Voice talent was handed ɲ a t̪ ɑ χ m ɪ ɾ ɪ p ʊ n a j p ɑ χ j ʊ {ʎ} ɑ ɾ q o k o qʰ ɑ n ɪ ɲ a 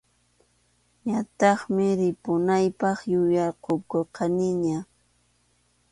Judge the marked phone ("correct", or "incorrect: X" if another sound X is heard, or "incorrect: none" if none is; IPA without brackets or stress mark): incorrect: j